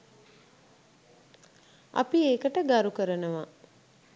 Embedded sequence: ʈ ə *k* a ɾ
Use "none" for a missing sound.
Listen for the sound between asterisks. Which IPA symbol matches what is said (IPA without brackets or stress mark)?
ɡ